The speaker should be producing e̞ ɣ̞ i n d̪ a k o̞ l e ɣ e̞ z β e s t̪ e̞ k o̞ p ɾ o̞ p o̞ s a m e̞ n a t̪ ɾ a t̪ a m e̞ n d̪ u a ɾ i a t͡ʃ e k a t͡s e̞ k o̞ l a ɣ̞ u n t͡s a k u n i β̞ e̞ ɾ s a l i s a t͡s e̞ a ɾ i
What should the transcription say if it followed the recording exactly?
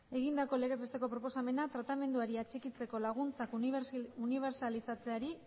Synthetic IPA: e̞ ɣ̞ i n d̪ a k o̞ l e ɣ e̞ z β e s t̪ e̞ k o̞ p ɾ o̞ p o̞ s a m e̞ n a t̪ ɾ a t̪ a m e̞ n d̪ u a ɾ i a t͡ʃ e k i t͡s e̞ k o̞ l a ɣ̞ u n t͡s a k u n i β̞ e̞ ɾ s a l i s a t͡s e̞ a ɾ i